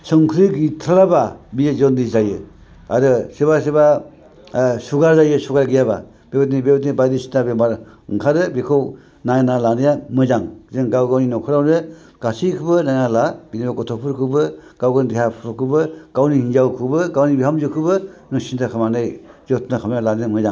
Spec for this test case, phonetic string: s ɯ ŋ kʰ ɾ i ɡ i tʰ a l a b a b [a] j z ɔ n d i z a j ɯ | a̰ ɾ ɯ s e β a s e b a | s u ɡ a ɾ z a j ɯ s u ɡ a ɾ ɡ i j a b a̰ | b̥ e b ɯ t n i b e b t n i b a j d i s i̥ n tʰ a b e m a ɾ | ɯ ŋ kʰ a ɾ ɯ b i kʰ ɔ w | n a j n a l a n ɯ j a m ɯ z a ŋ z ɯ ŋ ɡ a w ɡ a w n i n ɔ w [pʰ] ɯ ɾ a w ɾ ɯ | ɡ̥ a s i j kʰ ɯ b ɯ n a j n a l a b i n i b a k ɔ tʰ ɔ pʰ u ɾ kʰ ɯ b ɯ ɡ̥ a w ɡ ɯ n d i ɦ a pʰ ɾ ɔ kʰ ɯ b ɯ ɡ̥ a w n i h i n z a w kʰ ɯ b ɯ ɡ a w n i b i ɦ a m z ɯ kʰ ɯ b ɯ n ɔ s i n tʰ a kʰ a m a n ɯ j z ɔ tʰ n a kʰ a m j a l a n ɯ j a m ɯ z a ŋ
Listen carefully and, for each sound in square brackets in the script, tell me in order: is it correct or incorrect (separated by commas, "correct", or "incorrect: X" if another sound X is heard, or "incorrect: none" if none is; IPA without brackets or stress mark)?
incorrect: i, incorrect: kʰ